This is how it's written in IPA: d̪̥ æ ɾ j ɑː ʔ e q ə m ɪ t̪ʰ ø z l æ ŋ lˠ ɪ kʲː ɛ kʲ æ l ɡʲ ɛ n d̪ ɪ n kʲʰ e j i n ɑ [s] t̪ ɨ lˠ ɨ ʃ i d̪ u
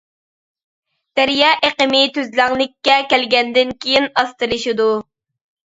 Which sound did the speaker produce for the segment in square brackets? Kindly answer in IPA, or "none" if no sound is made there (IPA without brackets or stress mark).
s